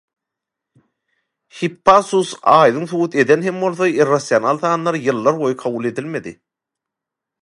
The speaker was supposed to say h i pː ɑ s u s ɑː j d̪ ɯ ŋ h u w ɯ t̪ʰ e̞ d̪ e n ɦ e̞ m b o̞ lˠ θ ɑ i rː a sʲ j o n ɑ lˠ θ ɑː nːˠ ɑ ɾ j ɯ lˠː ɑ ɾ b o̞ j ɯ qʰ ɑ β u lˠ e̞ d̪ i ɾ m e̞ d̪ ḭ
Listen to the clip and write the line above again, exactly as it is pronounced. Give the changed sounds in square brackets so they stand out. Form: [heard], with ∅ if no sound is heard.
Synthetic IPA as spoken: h i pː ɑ s u s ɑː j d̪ ɯ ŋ [θ] u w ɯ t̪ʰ e̞ d̪ e n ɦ e̞ m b o̞ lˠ θ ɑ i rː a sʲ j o n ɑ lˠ θ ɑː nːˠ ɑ ɾ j ɯ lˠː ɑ ɾ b o̞ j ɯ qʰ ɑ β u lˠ e̞ d̪ i [l] m e̞ d̪ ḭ